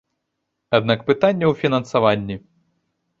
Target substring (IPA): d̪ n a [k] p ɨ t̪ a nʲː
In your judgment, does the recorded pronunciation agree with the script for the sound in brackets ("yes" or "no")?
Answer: yes